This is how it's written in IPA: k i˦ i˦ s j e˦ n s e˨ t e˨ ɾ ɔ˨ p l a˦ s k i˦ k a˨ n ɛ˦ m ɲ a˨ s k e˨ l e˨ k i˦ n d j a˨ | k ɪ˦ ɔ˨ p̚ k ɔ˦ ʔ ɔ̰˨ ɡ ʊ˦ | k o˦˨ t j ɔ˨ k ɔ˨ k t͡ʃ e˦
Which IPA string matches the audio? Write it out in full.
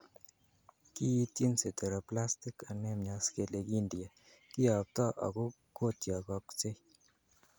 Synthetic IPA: k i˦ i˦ t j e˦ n s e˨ t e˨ ɾ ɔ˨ p l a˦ s t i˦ k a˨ n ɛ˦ m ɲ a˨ s k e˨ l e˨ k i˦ n d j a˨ | k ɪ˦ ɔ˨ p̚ t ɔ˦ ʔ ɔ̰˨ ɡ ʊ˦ | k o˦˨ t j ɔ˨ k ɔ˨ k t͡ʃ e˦